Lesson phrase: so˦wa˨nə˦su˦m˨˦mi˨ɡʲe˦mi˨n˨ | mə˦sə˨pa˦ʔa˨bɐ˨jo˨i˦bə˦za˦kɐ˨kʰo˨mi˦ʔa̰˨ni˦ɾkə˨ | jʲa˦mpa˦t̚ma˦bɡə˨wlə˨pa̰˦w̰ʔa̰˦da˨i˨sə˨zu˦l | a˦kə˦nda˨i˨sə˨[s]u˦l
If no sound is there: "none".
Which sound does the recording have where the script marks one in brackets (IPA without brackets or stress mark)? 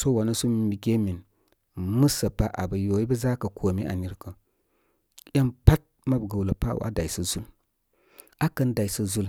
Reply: z